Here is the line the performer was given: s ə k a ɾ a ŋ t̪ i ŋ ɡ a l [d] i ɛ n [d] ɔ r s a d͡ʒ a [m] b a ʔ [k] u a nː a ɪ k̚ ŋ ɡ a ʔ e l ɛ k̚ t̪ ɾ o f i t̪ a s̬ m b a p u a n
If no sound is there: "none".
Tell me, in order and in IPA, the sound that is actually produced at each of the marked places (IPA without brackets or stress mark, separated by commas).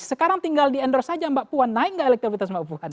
d, d, m, p